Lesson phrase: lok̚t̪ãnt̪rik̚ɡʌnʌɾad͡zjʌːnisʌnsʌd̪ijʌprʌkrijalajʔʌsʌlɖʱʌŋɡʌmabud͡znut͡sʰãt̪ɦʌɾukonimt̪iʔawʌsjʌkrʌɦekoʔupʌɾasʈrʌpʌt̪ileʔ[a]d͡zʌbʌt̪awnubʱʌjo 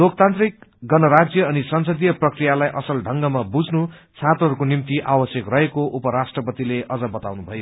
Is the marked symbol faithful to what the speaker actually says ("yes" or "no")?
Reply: no